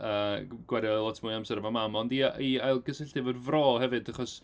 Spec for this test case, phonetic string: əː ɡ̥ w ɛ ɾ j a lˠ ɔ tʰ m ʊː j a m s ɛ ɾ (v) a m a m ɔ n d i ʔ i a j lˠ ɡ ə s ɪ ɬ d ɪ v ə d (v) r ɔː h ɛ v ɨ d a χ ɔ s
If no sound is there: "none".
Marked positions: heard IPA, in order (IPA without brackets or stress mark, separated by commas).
v, v